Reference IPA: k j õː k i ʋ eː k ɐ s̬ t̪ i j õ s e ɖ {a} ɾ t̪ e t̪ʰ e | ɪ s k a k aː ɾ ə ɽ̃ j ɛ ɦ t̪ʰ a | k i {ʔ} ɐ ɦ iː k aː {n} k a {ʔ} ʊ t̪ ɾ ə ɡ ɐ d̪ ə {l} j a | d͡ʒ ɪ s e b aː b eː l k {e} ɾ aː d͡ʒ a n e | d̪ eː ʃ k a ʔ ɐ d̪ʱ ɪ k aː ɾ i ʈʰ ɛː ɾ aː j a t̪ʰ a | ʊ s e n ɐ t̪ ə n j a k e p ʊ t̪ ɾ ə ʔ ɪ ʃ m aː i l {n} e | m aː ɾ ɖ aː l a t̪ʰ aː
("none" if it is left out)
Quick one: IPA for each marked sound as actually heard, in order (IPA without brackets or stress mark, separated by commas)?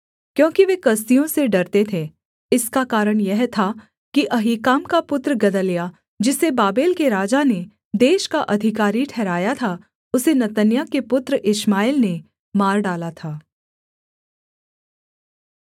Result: ɐ, ʔ, m, p, l, e, n